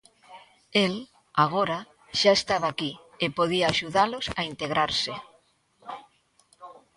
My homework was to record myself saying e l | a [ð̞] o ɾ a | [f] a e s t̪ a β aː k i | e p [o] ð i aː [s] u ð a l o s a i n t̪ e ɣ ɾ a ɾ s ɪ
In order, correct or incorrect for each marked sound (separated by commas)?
incorrect, incorrect, correct, incorrect